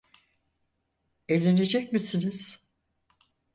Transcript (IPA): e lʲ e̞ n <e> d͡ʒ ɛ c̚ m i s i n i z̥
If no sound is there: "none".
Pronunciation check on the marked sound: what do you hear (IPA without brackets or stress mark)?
e